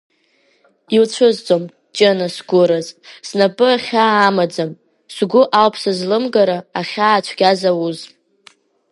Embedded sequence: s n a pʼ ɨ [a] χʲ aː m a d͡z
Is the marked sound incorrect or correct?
correct